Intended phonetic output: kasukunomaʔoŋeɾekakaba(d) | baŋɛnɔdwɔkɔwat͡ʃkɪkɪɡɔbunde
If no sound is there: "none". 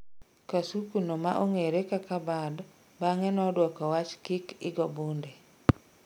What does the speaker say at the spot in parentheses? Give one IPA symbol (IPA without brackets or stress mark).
d